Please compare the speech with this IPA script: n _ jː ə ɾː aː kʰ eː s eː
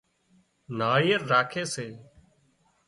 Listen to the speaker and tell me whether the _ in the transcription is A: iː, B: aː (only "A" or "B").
B